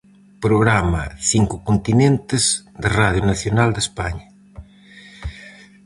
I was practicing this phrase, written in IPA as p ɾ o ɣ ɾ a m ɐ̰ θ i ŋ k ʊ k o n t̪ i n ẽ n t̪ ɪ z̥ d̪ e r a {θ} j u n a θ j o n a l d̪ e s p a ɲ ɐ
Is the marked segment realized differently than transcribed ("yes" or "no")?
yes